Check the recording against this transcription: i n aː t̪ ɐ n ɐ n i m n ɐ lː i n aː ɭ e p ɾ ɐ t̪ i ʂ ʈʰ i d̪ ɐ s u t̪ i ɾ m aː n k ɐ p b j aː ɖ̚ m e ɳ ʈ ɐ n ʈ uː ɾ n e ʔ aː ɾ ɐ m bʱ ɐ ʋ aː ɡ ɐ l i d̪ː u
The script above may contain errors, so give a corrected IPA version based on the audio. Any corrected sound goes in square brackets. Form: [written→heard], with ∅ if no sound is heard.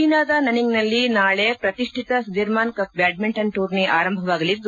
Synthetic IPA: i n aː [t̪→d̪] ɐ n ɐ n i [m→ŋ] n ɐ lː i n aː ɭ e p ɾ ɐ t̪ i ʂ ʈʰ i [d̪→t̪] ɐ s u [t̪→d̪] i ɾ m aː n k ɐ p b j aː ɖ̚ m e ɳ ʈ ɐ n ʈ uː ɾ n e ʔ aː ɾ ɐ m bʱ ɐ ʋ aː ɡ ɐ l i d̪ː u